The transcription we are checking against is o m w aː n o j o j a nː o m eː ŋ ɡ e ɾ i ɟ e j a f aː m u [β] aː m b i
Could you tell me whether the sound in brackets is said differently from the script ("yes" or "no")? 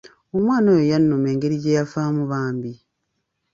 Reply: no